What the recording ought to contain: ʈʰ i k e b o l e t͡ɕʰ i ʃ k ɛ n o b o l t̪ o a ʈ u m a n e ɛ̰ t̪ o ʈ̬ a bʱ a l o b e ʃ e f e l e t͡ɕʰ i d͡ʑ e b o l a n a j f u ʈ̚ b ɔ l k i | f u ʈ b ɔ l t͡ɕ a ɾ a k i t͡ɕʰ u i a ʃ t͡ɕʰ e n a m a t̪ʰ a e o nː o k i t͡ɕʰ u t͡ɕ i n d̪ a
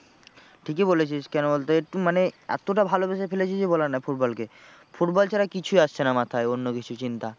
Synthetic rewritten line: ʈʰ i k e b o l e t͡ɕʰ i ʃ k ɛ n o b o l t̪ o e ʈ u m a n e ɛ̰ t̪ o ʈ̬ a bʱ a l o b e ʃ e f e l e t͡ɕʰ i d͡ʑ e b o l a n a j f u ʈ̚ b ɔ l k e | f u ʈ b ɔ l t͡ɕ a ɾ a k i t͡ɕʰ u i a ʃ t͡ɕʰ e n a m a t̪ʰ a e o nː o k i t͡ɕʰ u t͡ɕ i n t̪ a

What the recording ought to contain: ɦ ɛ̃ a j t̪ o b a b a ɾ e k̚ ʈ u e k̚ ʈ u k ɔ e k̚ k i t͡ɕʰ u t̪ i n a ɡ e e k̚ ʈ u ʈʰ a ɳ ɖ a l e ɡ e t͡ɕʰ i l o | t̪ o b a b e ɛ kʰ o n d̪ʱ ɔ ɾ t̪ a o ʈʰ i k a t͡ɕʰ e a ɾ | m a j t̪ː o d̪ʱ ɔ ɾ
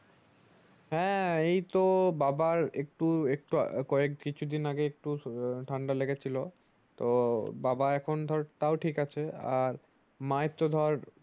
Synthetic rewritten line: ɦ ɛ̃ e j t̪ o b a b a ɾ e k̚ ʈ u e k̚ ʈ u k ɔ e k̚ k i t͡ɕʰ u d̪ i n a ɡ e e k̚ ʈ u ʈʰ a ɳ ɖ a l e ɡ e t͡ɕʰ i l o | t̪ o b a b a ɛ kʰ o n d̪ʱ ɔ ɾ t̪ a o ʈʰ i k a t͡ɕʰ e a ɾ | m a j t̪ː o d̪ʱ ɔ ɾ

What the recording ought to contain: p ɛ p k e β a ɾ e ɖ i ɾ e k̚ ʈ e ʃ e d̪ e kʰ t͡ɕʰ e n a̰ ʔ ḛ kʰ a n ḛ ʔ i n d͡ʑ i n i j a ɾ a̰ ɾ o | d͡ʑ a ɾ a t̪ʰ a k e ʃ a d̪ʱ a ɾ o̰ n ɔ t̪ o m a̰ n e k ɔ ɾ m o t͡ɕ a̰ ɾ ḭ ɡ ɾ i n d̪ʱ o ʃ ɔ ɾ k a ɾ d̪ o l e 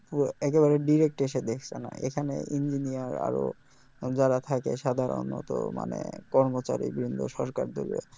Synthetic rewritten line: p ɛ k e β a ɾ e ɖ i ɾ e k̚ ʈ e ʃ e d̪ e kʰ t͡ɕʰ e n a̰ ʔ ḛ kʰ a n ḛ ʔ i n d͡ʑ i n i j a ɾ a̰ ɾ o | d͡ʑ a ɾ a t̪ʰ a k e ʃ a d̪ʱ a ɾ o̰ n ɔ t̪ o m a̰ n e k ɔ ɾ m o t͡ɕ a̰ ɾ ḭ b ɾ i n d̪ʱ o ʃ ɔ ɾ k a ɾ d̪ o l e

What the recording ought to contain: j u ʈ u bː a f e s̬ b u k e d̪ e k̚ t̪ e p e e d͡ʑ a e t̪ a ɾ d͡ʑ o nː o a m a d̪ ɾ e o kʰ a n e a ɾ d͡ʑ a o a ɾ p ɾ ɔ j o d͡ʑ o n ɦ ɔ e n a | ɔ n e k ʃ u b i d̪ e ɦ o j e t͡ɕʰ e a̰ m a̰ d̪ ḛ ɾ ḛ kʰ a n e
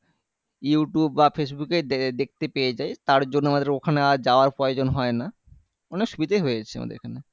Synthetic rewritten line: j u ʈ u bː a f e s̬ b u k e d̪ e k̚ t̪ e p e e d͡ʑ a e t̪ a ɾ d͡ʑ o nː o a m a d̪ ɾ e o kʰ a n e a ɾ d͡ʑ a o a ɾ p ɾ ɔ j o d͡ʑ o n ɦ ɔ e n a | ɔ n e k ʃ u b i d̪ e ɦ o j e t͡ɕʰ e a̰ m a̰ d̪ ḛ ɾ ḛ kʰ a n e

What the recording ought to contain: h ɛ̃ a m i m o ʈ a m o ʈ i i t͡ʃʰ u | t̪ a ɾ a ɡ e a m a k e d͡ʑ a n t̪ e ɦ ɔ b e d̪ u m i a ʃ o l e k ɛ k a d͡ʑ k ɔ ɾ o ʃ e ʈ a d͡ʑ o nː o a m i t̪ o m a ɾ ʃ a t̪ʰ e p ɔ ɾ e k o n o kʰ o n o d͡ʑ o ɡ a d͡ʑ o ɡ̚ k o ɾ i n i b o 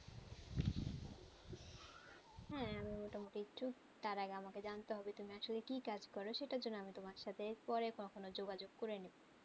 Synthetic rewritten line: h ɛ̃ a m i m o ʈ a m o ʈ i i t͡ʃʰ u | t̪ a ɾ a ɡ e a m a k e d͡ʑ a n t̪ e ɦ ɔ b e t̪ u m i a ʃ o l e k i k a d͡ʑ k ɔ ɾ o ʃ e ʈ a d͡ʑ o nː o a m i t̪ o m a ɾ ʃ a t̪ʰ e p ɔ ɾ e k o n o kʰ o n o d͡ʑ o ɡ a d͡ʑ o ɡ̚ k o ɾ e n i b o

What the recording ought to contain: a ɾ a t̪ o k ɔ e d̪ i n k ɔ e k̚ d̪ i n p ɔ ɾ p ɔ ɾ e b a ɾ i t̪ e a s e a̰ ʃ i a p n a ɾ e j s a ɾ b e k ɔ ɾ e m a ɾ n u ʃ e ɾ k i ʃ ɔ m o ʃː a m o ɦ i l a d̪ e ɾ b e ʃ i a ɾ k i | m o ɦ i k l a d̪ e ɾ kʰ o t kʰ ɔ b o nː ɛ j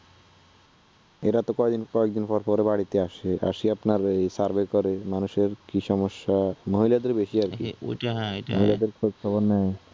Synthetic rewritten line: e ɾ a t̪ o k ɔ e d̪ i n k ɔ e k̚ d̪ i n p ɔ ɾ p ɔ ɾ e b a ɽ i t̪ e a ʃ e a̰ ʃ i a p n a ɾ e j s a ɾ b e k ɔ ɾ e m a n u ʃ e ɾ k i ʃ ɔ m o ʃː a m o ɦ i l a d̪ e ɾ b e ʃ i a ɾ k i | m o ɦ i l a d̪ e ɾ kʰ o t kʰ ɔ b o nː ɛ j

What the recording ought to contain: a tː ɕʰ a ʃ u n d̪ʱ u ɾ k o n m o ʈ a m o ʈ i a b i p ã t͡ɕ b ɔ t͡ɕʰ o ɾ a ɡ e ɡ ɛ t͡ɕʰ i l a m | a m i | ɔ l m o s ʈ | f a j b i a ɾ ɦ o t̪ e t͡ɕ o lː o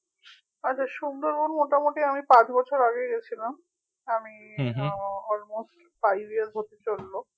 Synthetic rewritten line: a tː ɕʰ a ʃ u n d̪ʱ o ɾ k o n m o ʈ a m o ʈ i a m i p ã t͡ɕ b ɔ t͡ɕʰ o ɾ a ɡ e ɡ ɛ t͡ɕʰ i l a m | a m i | ɔ l m o s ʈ | f a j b i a ɾ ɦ o t̪ e t͡ɕ o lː o

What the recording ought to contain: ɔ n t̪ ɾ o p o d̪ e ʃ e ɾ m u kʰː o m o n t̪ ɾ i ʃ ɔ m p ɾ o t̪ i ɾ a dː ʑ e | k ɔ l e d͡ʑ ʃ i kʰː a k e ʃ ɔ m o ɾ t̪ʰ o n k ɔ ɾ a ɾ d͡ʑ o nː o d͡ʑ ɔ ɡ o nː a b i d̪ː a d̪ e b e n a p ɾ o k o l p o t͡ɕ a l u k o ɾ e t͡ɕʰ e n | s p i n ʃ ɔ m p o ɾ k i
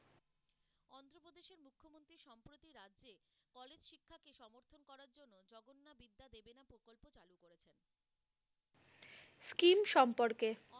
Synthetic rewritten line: ɔ n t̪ ɾ o p o d̪ e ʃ e ɾ m u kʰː o m o n t̪ ɾ i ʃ ɔ m p ɾ o t̪ i ɾ a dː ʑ e | k ɔ l e d͡ʑ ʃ i kʰː a k e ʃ ɔ m o ɾ t̪ʰ o n k ɔ ɾ a ɾ d͡ʑ o nː o d͡ʑ ɔ ɡ o nː a b i d̪ː a d̪ e b e n a p ɾ o k o l p o t͡ɕ a l u k o ɾ e t͡ɕʰ e n | s k i m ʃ ɔ m p o ɾ k e

